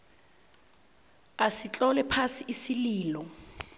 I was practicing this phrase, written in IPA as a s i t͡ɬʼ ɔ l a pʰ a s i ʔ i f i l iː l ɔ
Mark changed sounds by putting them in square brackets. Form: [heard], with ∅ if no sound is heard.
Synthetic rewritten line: a s i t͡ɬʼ ɔ l [ɛ] pʰ a s i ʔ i [s] i l iː l ɔ